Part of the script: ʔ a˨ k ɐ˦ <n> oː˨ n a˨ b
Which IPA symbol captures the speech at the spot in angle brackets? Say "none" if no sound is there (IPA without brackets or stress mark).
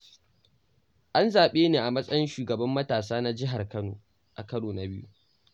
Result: n